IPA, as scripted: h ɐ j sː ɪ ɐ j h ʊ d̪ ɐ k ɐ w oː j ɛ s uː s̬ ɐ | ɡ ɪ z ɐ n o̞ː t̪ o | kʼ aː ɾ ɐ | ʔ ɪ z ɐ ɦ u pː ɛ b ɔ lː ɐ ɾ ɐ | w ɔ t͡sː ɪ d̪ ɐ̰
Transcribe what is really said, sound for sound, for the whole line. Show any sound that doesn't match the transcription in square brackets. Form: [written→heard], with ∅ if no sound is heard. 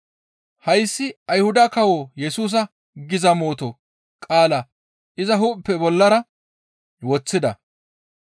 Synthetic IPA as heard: h ɐ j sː ɪ ɐ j h ʊ d̪ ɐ k ɐ w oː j ɛ s uː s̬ ɐ | ɡ ɪ z ɐ [n→m] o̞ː t̪ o | kʼ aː [ɾ→l] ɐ | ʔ ɪ z ɐ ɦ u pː ɛ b ɔ lː ɐ ɾ ɐ | w ɔ t͡sː ɪ d̪ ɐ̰